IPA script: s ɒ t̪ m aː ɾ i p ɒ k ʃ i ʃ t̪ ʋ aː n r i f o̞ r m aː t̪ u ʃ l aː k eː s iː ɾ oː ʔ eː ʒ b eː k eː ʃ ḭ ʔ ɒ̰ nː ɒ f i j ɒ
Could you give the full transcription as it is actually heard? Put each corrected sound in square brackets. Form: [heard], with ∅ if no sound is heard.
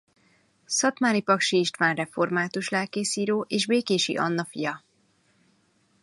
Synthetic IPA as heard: s ɒ t̪ m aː ɾ i p ɒ k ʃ i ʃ t̪ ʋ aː n r [ɛ] f o̞ r m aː t̪ u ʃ l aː k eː s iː ɾ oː ʔ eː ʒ b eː k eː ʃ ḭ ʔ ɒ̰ nː ɒ f i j ɒ